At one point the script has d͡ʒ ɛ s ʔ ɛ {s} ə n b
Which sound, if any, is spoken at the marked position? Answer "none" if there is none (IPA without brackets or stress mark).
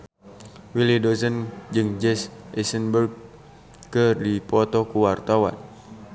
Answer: s